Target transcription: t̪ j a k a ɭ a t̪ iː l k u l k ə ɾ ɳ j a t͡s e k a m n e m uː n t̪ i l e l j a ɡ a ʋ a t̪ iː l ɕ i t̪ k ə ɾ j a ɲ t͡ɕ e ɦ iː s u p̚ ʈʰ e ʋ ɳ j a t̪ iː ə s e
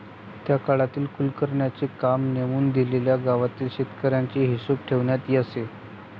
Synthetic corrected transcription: t̪ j a k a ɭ a t̪ iː l k u l k ə ɾ ɳ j a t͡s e k a m n e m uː n d̪ i l e l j a ɡ a ʋ a t̪ iː l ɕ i t̪ k ə ɾ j a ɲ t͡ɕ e ɦ i s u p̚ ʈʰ e ʋ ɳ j a t̪ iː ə s e